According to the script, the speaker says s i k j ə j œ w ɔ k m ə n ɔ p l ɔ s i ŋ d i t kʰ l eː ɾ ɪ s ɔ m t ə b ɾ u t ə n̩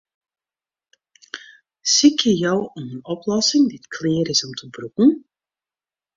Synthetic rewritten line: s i k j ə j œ w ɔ m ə n ɔ p l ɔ s ɪ ŋ d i t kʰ l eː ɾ ɪ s ɔ m t ə b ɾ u k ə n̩